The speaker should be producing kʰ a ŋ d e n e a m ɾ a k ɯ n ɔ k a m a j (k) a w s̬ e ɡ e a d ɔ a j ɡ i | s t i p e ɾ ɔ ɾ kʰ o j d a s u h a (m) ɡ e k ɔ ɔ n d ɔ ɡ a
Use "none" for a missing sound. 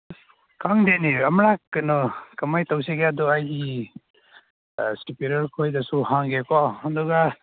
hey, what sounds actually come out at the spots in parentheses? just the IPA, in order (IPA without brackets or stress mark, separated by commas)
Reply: t, ŋ